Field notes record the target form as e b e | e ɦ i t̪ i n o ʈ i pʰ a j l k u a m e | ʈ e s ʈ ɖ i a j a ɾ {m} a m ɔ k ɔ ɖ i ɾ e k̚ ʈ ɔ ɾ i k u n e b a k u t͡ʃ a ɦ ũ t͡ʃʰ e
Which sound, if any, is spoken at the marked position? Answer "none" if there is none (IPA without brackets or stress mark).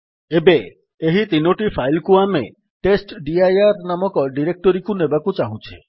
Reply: n